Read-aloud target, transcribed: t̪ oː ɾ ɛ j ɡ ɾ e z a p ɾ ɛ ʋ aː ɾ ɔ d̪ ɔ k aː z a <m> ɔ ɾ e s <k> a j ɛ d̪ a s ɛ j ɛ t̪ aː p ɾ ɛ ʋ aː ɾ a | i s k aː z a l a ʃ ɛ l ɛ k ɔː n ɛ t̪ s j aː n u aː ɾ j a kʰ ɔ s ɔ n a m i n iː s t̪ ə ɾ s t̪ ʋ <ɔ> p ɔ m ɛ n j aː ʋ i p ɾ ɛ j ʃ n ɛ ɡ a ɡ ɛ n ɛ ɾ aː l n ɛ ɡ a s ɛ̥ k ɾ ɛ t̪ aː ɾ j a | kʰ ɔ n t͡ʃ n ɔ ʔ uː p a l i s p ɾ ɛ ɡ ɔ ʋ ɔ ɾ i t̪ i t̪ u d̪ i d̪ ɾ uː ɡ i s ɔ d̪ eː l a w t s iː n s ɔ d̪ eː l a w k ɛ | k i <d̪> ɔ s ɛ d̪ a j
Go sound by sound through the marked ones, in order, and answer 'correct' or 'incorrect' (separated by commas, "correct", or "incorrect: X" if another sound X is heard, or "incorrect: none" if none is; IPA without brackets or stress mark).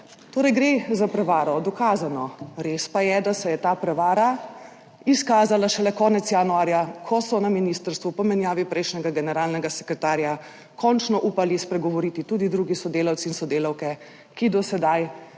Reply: incorrect: n, incorrect: p, incorrect: u, correct